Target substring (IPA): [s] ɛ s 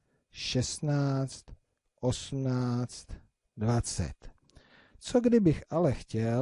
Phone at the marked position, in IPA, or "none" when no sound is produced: ʃ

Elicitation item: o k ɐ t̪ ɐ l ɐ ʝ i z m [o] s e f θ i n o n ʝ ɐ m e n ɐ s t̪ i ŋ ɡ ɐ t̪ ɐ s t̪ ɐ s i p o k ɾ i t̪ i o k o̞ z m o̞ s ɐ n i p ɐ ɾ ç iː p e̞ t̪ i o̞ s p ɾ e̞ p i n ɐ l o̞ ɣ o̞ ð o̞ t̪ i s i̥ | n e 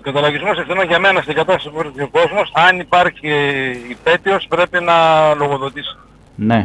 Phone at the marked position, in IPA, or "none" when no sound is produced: o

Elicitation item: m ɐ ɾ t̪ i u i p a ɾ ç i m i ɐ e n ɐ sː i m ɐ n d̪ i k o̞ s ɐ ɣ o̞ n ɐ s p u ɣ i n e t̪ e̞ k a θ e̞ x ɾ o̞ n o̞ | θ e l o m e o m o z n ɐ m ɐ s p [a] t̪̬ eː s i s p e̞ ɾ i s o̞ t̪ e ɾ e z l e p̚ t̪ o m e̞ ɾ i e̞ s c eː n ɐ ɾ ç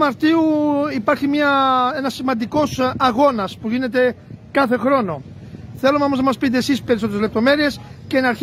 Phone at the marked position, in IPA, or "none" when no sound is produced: i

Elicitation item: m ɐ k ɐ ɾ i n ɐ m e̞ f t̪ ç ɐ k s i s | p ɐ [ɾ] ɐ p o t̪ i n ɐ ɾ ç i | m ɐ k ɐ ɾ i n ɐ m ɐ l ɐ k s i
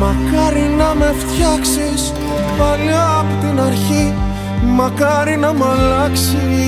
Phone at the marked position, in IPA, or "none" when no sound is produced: l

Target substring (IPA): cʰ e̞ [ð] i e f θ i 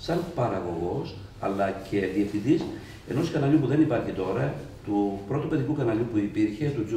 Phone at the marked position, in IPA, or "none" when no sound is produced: ð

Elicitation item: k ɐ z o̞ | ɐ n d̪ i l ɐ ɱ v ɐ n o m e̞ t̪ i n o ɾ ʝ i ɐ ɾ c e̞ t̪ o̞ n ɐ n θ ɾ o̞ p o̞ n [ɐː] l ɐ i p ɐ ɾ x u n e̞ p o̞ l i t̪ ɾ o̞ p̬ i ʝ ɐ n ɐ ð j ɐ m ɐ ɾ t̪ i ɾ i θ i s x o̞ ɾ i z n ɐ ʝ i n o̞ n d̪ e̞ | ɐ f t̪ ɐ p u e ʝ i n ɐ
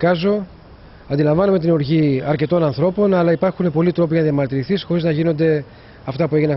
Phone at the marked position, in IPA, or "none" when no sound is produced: ɐ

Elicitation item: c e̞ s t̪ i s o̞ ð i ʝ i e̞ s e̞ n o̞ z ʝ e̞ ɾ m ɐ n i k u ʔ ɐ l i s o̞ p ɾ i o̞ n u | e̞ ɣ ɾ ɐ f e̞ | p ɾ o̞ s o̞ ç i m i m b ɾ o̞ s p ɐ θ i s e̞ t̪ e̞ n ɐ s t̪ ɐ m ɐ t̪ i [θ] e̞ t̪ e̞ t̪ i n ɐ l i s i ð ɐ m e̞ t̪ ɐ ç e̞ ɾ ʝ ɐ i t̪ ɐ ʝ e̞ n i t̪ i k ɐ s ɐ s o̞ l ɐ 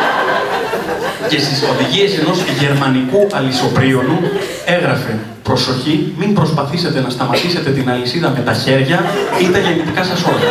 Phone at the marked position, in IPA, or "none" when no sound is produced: s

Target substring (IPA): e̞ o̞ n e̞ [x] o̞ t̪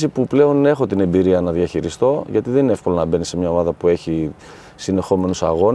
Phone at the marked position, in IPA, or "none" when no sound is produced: x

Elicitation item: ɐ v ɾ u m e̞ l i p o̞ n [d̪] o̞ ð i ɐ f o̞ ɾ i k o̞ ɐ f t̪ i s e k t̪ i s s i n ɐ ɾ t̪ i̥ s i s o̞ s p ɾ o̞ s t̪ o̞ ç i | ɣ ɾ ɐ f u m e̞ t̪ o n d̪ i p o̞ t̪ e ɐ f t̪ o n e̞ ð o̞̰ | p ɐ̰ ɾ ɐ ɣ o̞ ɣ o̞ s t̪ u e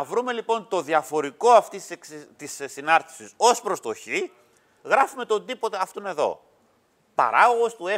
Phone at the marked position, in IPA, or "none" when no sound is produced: t̪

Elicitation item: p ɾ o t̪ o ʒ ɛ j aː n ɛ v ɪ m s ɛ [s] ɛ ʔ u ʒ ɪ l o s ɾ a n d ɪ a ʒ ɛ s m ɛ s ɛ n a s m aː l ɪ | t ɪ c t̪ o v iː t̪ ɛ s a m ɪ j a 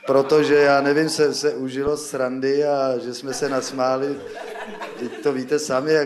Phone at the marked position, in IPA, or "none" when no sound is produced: s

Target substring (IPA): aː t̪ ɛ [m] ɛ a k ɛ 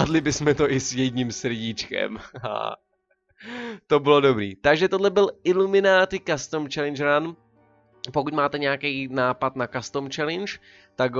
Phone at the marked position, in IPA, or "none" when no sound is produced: ɲ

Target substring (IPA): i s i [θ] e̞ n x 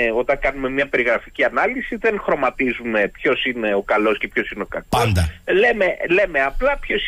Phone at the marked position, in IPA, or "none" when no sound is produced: ð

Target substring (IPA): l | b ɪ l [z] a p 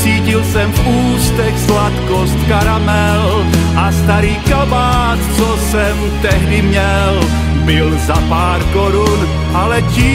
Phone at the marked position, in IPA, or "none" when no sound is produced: z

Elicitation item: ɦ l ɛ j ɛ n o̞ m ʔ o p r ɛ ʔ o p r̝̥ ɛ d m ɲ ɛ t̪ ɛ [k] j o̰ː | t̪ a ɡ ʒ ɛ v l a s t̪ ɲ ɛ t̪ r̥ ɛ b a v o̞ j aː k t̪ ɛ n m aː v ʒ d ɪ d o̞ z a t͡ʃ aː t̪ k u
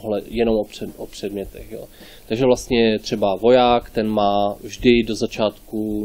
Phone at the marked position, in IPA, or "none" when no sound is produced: x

